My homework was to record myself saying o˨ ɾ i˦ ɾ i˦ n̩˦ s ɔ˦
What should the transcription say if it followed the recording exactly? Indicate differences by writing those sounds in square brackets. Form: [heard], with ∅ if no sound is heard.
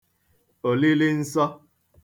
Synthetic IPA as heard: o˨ [l] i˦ [l] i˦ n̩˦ s ɔ˦